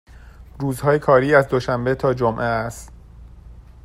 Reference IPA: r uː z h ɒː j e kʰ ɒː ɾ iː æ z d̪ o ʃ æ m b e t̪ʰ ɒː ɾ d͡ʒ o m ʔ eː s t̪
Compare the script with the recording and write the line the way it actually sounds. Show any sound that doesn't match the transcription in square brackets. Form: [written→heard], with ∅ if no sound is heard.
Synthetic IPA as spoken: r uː z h ɒː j e kʰ ɒː ɾ iː æ z d̪ o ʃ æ m b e t̪ʰ ɒː [ɾ→∅] d͡ʒ o m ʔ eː s t̪